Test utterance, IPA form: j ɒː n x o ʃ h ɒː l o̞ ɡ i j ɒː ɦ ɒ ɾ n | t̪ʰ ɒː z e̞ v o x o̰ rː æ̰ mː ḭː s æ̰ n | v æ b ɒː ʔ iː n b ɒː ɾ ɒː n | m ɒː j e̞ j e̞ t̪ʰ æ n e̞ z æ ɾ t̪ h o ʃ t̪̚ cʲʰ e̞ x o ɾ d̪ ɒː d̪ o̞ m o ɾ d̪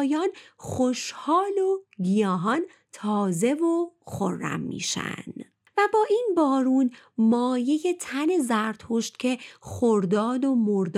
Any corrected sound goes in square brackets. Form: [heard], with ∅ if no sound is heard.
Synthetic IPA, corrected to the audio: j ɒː n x o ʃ h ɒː l o̞ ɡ i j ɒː ɦ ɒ [∅] n | t̪ʰ ɒː z e̞ v o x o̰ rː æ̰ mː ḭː [ʃ] æ̰ n | v æ b ɒː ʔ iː n b ɒː ɾ [uː] n | m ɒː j e̞ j e̞ t̪ʰ æ n e̞ z æ ɾ t̪ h o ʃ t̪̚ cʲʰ e̞ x o ɾ d̪ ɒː d̪ o̞ m o ɾ d̪